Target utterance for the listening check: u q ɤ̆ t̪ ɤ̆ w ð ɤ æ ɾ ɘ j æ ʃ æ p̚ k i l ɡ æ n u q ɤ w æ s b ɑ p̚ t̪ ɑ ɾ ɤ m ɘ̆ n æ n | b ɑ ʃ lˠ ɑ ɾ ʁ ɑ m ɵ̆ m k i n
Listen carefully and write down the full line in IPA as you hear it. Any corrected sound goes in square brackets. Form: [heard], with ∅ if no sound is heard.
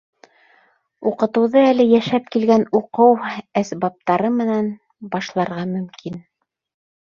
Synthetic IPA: u q ɤ̆ t̪ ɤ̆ w ð ɤ æ [l] ɘ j æ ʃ æ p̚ k i l ɡ æ n u q ɤ w æ s b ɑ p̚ t̪ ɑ ɾ ɤ m ɘ̆ n æ n | b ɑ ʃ lˠ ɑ ɾ ʁ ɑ m ɵ̆ m k i n